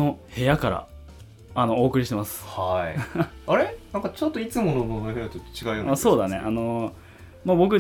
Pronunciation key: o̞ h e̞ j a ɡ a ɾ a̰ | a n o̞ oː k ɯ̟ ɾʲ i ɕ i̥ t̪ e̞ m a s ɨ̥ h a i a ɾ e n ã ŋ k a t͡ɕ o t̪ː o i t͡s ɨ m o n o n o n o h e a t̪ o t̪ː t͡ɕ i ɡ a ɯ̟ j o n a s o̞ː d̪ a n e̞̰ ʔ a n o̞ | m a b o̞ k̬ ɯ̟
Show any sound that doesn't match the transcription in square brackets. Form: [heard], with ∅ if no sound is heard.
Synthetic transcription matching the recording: o̞ h e̞ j a [k] a ɾ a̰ | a n o̞ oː k ɯ̟ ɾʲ i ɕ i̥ t̪ e̞ m a s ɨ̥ h a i a ɾ e n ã ŋ k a t͡ɕ o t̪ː o i t͡s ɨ m o n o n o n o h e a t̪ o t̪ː t͡ɕ i ɡ a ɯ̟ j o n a s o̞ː d̪ a n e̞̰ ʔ a n o̞ | m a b o̞ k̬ ɯ̟